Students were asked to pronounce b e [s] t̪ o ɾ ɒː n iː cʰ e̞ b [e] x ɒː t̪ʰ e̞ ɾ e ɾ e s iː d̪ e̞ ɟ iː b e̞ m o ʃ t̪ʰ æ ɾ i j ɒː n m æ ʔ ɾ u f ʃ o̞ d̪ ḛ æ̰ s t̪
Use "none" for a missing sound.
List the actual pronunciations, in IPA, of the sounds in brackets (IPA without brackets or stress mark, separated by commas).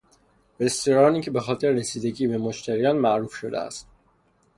s, e